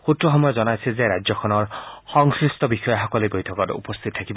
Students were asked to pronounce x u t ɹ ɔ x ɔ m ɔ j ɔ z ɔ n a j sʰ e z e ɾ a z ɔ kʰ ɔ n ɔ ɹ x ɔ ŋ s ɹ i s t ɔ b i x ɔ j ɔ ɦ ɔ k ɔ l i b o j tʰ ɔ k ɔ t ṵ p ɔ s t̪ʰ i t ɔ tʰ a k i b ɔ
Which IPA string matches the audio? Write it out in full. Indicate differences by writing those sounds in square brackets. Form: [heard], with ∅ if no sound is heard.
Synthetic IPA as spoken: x u t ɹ ɔ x ɔ m ɔ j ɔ z ɔ n a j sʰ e z e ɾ a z ɔ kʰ ɔ n ɔ ɹ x ɔ ŋ s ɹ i s t ɔ b i x ɔ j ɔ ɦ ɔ k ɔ l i b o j tʰ ɔ k ɔ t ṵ p ɔ s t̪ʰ i t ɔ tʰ a k i b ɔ